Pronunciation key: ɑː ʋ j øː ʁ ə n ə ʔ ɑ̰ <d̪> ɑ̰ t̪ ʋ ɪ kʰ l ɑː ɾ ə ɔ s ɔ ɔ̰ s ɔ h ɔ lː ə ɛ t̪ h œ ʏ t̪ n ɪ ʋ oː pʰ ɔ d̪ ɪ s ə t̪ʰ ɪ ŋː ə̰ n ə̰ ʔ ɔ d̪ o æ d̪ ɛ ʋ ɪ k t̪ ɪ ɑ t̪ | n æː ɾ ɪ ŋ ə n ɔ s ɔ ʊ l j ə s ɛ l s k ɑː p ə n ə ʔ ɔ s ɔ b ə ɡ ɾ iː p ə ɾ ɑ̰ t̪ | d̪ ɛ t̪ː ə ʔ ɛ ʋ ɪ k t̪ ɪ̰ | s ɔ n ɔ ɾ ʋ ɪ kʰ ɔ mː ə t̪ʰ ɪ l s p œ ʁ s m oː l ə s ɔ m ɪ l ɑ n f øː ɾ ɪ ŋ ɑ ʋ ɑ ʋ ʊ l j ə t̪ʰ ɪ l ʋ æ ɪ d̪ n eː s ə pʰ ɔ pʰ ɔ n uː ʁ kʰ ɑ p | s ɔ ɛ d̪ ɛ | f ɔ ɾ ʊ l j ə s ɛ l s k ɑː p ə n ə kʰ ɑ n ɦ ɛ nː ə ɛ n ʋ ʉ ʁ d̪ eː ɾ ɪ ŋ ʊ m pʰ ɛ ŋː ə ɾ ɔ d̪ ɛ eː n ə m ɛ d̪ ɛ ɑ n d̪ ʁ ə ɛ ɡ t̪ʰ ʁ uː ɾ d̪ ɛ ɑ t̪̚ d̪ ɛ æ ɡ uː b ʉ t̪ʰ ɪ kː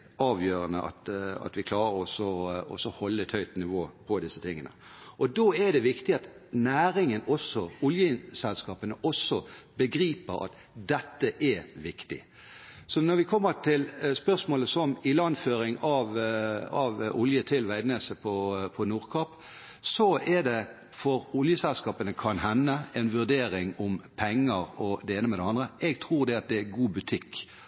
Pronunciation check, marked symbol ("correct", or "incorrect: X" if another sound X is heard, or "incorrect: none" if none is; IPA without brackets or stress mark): incorrect: t̪